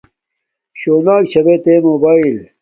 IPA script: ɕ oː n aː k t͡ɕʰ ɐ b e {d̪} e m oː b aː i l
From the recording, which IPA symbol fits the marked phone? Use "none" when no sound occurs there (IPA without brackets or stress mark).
t̪